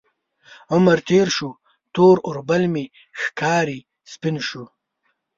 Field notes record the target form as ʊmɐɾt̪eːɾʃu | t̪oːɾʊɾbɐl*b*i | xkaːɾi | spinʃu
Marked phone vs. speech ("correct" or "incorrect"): incorrect